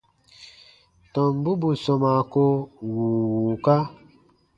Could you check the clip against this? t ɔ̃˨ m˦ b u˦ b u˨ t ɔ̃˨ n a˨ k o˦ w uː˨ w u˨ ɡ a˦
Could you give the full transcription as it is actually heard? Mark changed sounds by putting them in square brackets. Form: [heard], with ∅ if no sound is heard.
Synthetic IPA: t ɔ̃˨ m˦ b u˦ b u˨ [s] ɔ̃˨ [m] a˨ k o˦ w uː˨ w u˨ [k] a˦